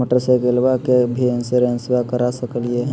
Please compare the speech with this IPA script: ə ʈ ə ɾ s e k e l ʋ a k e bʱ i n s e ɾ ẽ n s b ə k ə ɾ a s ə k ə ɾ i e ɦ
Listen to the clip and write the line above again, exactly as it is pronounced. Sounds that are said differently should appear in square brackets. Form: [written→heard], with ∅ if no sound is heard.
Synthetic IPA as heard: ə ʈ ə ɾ s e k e l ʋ a k e bʱ i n s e ɾ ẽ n s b [ə→a] k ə ɾ a s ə k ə [ɾ→l] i e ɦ